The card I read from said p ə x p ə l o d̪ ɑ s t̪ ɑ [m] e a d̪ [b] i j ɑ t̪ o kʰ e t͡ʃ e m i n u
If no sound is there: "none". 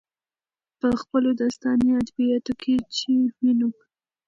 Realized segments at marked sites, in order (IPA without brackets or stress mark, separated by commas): n, b